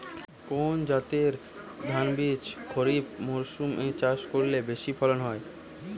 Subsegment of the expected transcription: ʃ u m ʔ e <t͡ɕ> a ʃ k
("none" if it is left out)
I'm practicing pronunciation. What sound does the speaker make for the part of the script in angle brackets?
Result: t͡ɕ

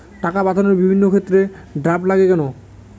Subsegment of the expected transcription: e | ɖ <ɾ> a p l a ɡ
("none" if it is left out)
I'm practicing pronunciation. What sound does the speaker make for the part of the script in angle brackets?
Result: ɾ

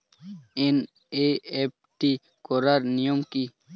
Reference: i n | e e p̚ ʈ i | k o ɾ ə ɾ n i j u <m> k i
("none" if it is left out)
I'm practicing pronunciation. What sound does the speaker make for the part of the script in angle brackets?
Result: m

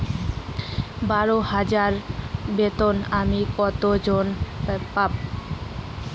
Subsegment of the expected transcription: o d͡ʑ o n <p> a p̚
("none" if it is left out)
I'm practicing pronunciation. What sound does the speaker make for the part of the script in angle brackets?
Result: p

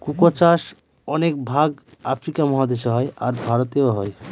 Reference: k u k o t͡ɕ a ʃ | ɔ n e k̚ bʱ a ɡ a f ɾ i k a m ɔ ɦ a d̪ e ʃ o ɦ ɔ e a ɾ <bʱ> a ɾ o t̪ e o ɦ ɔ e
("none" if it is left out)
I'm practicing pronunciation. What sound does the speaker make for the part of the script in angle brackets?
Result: bʱ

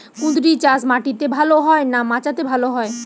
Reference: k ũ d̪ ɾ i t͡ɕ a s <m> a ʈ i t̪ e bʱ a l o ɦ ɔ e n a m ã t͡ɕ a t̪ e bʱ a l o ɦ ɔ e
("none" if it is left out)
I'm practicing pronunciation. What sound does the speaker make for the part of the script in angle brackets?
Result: m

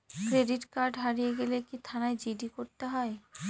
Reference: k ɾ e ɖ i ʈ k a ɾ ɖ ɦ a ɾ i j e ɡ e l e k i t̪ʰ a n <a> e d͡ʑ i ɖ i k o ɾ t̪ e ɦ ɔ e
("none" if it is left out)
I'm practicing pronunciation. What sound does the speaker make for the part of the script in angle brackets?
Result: a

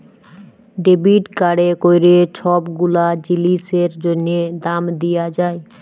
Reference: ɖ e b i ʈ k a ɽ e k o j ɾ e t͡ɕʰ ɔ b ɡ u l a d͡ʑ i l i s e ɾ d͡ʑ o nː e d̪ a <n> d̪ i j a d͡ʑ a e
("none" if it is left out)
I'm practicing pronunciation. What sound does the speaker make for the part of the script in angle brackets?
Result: m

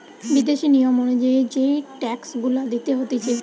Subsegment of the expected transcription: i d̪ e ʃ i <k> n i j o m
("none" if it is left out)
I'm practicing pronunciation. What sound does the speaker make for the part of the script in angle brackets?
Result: none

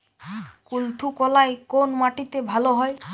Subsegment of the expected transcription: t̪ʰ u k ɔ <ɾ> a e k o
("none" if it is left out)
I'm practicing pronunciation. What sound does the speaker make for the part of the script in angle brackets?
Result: l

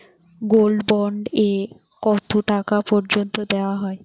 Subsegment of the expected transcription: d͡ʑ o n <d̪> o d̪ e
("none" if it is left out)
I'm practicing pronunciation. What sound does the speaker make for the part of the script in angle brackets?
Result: t̪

